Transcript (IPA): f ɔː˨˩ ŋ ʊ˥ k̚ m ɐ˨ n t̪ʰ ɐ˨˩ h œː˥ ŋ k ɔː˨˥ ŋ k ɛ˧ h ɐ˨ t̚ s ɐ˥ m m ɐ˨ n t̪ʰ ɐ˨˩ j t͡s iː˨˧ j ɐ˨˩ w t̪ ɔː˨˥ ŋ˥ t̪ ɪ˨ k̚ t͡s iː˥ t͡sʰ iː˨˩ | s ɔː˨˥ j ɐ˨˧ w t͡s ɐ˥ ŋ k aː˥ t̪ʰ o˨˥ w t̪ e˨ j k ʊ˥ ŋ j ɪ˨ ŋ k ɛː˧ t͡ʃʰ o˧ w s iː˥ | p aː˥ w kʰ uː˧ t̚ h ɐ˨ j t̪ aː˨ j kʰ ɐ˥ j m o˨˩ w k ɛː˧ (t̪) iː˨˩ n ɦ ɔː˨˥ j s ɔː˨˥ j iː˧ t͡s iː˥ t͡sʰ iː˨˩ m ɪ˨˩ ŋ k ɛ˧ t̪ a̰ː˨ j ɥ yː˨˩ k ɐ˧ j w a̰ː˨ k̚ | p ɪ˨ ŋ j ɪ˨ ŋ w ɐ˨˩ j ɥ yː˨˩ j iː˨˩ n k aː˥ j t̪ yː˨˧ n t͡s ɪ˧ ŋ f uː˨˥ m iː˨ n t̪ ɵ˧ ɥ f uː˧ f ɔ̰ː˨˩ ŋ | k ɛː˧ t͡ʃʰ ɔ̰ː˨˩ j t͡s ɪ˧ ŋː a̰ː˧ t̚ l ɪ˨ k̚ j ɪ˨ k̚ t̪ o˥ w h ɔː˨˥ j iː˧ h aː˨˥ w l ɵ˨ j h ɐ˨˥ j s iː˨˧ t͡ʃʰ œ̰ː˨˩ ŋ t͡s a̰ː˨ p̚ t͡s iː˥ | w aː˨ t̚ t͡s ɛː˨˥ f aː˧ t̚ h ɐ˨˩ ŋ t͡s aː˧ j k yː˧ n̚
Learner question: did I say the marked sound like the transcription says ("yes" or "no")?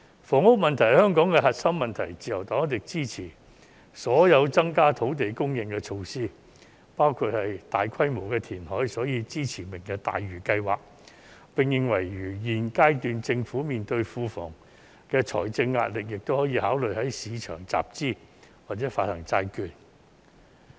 no